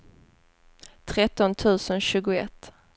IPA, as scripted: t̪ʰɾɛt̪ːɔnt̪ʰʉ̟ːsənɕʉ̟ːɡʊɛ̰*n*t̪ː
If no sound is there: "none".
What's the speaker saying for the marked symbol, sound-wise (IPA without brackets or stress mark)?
none